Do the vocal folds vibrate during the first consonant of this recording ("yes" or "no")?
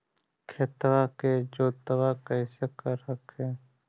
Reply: no